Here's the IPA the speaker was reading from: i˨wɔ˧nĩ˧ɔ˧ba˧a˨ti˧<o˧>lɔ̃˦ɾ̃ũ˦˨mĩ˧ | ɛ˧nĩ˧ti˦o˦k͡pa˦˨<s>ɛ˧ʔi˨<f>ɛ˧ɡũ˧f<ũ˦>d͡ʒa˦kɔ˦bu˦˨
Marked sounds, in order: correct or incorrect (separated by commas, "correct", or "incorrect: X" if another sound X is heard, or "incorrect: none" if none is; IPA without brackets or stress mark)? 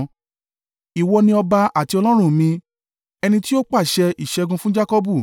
incorrect: ɔ˧, incorrect: ʃ, incorrect: ʃ, correct